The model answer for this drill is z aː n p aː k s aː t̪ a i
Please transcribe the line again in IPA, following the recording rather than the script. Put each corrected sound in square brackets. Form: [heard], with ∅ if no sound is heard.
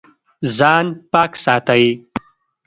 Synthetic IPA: z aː n p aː k s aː t̪ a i